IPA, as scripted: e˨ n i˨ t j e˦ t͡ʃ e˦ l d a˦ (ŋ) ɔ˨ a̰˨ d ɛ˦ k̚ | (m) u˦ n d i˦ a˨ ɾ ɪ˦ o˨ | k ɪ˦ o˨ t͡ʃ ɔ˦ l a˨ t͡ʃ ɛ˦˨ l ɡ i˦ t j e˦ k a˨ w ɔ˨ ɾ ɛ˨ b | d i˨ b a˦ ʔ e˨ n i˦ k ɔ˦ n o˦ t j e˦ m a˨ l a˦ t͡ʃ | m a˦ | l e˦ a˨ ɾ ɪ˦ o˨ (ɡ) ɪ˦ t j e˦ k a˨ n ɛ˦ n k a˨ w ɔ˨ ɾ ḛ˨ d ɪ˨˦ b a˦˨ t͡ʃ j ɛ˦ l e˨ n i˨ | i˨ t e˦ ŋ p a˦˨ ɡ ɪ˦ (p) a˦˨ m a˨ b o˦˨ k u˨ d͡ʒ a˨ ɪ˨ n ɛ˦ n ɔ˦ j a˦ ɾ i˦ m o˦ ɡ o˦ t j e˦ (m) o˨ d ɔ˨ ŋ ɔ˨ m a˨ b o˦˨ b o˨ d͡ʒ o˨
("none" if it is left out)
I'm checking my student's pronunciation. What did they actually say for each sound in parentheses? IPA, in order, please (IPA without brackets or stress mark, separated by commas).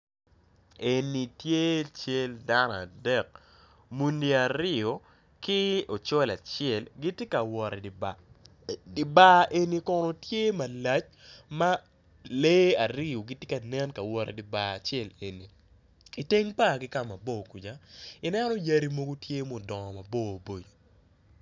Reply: n, m, ɡ, k, m